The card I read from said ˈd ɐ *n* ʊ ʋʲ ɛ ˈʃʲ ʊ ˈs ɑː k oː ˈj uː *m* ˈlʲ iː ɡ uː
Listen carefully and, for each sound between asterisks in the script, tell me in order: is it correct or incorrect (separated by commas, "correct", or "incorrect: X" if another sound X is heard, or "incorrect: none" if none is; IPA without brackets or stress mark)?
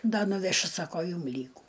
correct, correct